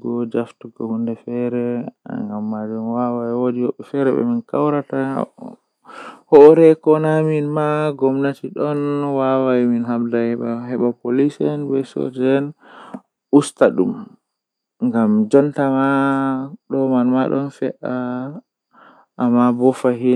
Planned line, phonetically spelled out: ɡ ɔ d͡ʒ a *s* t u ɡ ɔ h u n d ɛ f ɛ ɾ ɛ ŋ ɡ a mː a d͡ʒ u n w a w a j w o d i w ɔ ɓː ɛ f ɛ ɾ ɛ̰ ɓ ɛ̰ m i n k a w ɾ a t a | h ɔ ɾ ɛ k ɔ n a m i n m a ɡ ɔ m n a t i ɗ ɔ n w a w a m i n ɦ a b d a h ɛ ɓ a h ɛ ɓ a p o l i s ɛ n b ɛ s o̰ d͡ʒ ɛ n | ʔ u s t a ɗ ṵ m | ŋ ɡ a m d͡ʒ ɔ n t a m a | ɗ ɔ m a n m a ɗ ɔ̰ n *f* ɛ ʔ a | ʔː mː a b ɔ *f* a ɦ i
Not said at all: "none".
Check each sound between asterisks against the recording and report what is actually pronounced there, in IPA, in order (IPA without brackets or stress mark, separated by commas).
f, f, f